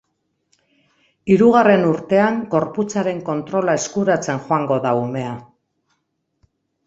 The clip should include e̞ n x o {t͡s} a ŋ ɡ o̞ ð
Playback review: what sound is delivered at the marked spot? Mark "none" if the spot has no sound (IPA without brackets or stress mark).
none